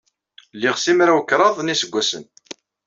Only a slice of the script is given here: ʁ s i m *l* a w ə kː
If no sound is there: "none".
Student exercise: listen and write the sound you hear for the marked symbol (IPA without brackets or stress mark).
ɾ